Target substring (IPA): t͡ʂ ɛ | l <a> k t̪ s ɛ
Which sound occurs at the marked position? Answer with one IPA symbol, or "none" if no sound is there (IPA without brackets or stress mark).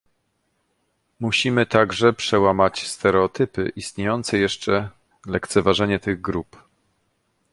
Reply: ɛ